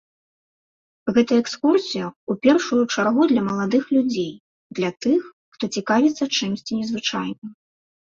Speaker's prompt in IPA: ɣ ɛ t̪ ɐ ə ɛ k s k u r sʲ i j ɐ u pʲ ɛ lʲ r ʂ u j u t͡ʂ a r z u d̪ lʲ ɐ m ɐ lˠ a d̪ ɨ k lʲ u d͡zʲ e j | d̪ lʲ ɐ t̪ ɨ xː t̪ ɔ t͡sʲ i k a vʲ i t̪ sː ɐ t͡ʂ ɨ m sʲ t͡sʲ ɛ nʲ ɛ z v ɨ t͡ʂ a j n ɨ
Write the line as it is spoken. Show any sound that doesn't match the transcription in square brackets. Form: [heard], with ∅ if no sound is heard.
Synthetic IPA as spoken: ɣ ɛ t̪ ɐ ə ɛ k s k u r sʲ i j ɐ u pʲ ɛ [∅] r ʂ u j u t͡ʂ a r [ɣ] u d̪ lʲ ɐ m ɐ lˠ a d̪ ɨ [x] lʲ u d͡zʲ e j | d̪ lʲ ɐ t̪ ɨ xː t̪ ɔ t͡sʲ i k a vʲ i t̪ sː ɐ t͡ʂ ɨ m sʲ t͡sʲ [i] nʲ ɛ z v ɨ t͡ʂ a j n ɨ